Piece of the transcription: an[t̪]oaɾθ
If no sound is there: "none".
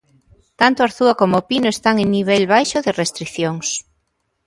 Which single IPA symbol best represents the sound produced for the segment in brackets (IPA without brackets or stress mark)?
t̪